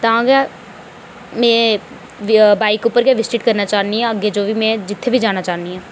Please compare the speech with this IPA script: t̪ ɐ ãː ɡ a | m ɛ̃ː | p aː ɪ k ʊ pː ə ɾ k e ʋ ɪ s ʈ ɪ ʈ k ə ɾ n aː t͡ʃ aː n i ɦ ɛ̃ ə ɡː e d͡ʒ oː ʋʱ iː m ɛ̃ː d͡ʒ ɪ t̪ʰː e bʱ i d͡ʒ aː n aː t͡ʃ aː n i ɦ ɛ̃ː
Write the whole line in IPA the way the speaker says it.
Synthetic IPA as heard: t̪ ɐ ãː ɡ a | m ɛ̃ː | b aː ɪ k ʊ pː ə ɾ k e ʋ ɪ s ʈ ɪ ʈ k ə ɾ n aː t͡ʃ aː n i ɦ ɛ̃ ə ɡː e d͡ʒ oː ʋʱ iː m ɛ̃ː d͡ʒ ɪ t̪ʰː e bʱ i d͡ʒ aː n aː t͡ʃ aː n i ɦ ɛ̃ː